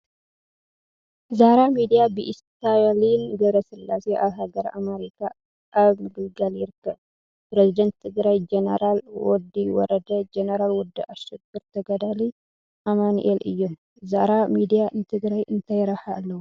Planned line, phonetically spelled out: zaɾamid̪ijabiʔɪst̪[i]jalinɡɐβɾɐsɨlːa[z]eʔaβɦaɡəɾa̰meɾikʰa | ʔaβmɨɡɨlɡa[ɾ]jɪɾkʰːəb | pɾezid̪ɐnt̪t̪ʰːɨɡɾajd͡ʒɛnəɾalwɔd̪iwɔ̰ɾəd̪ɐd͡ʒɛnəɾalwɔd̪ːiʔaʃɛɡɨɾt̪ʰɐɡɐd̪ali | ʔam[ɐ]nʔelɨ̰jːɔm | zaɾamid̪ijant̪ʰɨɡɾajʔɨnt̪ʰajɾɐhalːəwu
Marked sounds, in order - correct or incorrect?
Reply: incorrect, incorrect, incorrect, incorrect

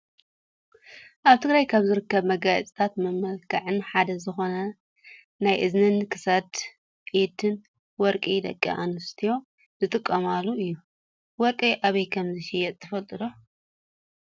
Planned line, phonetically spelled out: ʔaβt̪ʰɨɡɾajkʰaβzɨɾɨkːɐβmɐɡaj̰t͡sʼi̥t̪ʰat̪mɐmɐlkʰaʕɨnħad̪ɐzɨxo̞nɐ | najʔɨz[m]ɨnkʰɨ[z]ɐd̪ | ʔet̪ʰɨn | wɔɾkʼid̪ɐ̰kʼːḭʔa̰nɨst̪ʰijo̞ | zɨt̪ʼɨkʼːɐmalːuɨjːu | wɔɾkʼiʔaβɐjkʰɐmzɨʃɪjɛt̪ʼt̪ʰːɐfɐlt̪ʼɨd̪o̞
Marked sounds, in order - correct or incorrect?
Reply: incorrect, incorrect

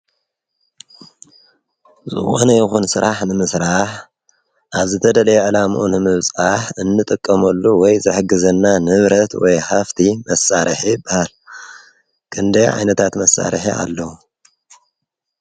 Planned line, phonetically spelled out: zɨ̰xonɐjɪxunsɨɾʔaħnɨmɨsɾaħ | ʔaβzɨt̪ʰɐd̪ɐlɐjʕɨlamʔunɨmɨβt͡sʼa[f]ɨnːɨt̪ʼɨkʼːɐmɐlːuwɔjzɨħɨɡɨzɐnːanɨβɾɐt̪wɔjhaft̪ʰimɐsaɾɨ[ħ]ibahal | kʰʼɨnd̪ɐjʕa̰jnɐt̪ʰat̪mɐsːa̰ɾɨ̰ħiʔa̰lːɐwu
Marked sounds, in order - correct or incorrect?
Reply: incorrect, correct

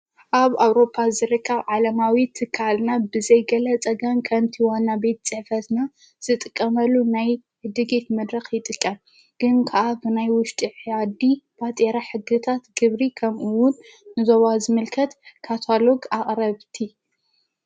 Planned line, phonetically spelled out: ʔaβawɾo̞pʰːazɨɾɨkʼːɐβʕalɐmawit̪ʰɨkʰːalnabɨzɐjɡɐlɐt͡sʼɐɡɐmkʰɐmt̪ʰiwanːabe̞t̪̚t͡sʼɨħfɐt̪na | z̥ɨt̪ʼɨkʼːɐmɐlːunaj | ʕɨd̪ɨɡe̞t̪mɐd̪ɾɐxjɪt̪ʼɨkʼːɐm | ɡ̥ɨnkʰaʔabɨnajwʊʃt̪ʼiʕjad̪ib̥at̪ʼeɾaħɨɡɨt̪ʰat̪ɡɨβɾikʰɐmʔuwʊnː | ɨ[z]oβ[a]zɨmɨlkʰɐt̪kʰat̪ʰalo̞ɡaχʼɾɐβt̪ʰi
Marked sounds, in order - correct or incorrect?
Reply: correct, correct

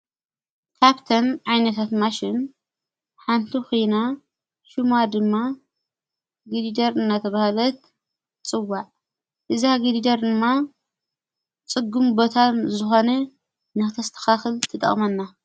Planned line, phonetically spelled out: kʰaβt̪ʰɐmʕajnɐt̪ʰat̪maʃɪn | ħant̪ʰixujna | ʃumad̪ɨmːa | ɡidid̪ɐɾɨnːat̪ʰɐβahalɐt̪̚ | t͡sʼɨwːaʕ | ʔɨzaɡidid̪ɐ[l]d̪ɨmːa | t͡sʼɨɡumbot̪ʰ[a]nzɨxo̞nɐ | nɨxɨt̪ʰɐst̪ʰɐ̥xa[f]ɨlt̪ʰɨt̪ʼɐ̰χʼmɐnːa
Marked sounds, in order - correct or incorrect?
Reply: incorrect, correct, incorrect

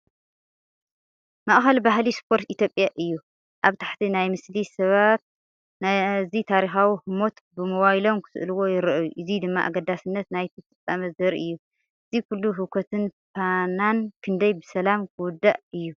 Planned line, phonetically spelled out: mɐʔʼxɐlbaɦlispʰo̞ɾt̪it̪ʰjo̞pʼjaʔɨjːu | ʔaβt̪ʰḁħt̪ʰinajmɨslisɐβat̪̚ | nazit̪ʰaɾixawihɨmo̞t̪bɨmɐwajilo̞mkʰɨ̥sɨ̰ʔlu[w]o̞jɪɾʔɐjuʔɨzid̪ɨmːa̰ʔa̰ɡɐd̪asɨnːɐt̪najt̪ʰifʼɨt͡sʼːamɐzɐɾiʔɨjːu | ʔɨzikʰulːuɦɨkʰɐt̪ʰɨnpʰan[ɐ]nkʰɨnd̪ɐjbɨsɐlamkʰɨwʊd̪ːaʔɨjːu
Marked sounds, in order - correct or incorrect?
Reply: correct, incorrect

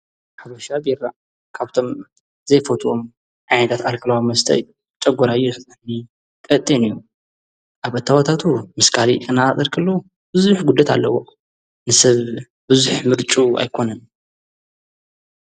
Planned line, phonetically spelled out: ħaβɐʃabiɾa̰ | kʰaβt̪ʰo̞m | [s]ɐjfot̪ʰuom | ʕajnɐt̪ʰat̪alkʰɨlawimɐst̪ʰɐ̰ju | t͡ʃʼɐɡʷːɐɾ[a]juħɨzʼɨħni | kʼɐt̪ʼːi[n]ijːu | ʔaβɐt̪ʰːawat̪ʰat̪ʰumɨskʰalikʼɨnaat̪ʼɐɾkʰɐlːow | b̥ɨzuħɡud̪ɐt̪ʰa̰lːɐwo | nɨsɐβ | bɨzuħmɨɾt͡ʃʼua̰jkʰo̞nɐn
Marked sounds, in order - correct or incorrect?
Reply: incorrect, correct, correct

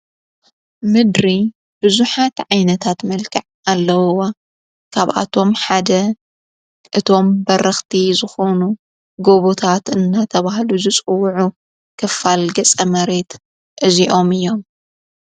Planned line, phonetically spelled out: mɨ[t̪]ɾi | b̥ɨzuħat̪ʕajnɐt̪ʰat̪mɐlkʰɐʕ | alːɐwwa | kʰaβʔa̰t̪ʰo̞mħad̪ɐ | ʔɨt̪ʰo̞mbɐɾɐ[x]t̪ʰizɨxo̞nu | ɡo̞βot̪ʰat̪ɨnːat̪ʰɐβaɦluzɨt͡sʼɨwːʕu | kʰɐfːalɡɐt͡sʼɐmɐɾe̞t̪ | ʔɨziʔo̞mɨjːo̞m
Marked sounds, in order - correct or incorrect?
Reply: incorrect, correct

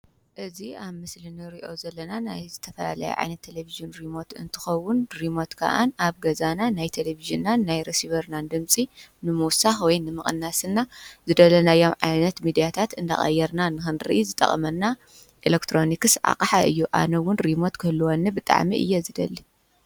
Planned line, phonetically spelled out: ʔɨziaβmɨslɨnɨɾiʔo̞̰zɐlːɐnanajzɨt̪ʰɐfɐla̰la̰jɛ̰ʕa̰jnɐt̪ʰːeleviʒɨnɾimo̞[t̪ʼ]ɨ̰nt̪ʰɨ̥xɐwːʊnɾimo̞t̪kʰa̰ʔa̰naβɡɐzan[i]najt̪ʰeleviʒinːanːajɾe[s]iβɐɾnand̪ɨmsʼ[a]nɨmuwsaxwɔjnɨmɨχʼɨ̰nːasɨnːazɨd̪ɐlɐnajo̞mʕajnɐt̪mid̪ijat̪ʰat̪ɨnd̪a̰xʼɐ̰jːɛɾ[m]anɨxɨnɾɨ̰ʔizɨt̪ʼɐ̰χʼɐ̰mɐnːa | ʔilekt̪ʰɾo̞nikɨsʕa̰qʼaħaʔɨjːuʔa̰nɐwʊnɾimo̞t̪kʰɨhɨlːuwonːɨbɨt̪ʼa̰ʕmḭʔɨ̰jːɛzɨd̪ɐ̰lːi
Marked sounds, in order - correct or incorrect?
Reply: incorrect, incorrect, correct, incorrect, incorrect

